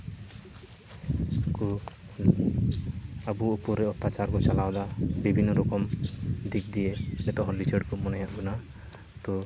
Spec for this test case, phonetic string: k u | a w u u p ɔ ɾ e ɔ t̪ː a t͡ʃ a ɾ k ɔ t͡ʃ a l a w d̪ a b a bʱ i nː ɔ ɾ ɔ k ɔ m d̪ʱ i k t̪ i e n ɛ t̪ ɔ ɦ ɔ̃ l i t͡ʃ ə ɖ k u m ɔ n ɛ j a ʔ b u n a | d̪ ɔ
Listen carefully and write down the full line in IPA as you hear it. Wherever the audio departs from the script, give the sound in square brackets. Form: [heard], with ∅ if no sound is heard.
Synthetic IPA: k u | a [b] u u p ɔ ɾ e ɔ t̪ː a t͡ʃ a ɾ k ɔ t͡ʃ a l a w d̪ a b [i] bʱ i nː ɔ ɾ ɔ k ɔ m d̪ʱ i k [d̪] i e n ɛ t̪ ɔ ɦ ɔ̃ l i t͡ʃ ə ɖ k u m ɔ n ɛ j a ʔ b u n a | [t̪] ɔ